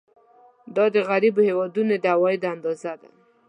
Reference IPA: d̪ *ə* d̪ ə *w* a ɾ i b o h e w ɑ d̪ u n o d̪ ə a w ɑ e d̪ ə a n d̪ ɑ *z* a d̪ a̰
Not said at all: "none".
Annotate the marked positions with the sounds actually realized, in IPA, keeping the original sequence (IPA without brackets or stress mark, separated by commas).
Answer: ɑ, ɣ, z